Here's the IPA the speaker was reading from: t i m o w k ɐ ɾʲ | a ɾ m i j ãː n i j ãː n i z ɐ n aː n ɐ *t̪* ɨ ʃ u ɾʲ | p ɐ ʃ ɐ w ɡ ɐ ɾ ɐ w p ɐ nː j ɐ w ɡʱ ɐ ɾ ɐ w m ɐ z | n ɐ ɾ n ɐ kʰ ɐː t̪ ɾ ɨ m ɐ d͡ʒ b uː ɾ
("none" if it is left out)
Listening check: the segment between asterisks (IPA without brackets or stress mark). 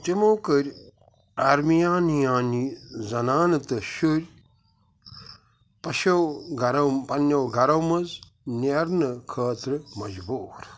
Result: t̪